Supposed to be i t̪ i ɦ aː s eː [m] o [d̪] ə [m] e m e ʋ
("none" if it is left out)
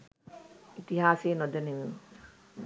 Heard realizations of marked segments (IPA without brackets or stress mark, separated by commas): n, d̪, n